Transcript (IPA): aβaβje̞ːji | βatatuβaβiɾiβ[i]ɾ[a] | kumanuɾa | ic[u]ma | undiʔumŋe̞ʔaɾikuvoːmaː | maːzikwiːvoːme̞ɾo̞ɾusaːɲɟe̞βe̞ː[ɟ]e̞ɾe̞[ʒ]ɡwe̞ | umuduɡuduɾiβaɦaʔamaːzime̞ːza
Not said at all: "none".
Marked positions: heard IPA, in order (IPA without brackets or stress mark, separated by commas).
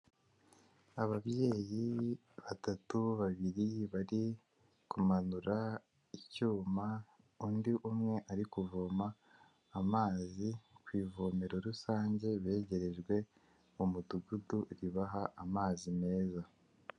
a, i, uː, ɟ, ʒ